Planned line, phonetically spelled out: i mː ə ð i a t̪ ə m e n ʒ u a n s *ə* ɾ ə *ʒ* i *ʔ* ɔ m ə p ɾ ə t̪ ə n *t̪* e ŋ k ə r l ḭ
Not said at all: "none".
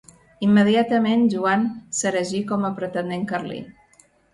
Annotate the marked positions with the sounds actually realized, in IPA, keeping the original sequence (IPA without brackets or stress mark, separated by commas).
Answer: ə, ʒ, k, d̪